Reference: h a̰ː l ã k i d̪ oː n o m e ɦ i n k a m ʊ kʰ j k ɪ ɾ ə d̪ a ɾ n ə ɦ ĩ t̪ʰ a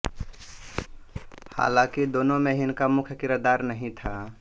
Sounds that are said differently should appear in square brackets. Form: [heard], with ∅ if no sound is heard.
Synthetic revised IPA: h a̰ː l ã k i d̪ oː n o m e ɦ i n k a m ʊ kʰ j k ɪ ɾ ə d̪ a ɾ n ə ɦ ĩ t̪ʰ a